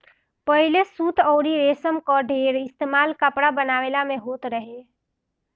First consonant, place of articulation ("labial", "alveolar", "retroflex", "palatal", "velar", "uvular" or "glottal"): labial